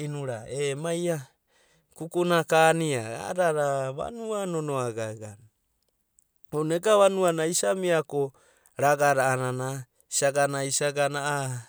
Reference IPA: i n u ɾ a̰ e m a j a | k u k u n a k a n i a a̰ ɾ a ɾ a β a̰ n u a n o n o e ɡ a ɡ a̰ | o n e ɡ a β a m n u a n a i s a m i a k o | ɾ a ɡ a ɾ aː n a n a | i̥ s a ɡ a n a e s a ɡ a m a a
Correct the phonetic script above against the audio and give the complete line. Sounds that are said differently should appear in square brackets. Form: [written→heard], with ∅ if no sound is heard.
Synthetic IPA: i n u ɾ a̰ e m a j a | k u k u n a k a n i a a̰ ɾ a ɾ a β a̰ n u a n o n o [e→a] ɡ a ɡ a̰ | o n e ɡ a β a [m→∅] n u a n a i s a m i a k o | ɾ a ɡ a ɾ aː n a n a | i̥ s a ɡ a n a [e→i] s a ɡ a [m→n] a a